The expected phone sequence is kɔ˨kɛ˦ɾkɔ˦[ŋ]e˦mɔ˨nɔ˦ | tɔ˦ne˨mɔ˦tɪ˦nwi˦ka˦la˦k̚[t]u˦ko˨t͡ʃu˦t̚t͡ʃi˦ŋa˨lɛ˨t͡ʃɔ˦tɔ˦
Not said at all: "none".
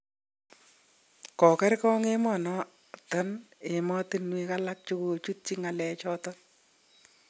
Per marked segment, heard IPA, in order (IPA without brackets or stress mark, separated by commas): ŋ, t͡ʃ